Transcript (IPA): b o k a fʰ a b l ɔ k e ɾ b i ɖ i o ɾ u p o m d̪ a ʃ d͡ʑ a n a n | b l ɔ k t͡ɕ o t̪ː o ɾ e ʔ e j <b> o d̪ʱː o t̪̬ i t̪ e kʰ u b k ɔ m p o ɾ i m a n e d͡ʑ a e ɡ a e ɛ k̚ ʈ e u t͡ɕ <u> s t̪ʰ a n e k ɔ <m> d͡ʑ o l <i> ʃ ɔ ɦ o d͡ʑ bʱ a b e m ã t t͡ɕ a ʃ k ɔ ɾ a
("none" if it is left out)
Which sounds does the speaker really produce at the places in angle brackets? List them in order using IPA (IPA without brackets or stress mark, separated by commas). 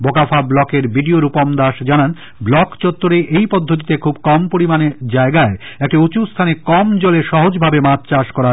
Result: p, u, m, e